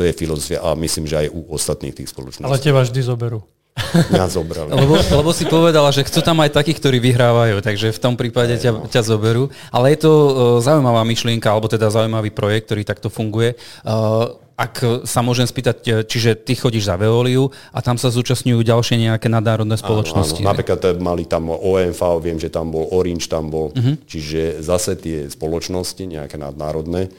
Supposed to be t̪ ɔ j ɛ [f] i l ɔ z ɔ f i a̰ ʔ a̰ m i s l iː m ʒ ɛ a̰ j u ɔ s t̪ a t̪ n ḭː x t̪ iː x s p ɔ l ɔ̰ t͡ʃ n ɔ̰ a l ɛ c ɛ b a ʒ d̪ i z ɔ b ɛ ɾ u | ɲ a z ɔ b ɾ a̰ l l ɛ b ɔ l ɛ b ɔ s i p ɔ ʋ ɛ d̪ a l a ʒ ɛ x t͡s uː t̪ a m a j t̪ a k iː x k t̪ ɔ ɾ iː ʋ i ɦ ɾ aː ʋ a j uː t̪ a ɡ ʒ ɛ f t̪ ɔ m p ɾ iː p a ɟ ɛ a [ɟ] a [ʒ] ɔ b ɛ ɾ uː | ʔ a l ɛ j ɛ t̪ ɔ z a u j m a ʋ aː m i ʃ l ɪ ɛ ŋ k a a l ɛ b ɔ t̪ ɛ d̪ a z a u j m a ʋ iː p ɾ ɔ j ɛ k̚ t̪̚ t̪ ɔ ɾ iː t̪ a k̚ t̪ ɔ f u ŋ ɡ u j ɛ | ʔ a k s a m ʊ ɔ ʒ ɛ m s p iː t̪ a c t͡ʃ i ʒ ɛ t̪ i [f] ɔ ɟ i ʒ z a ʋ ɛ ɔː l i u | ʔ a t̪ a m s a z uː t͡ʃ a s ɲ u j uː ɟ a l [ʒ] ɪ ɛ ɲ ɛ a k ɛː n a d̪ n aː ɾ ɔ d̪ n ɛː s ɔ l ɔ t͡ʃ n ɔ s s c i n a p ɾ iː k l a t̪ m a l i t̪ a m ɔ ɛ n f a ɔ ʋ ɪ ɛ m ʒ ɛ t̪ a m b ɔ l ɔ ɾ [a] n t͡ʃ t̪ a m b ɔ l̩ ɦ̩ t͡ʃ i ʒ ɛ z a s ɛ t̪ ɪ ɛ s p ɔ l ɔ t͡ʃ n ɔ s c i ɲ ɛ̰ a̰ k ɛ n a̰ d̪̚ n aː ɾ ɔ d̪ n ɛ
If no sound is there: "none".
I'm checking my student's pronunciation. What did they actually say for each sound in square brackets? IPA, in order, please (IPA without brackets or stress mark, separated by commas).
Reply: f, c, z, x, ʃ, i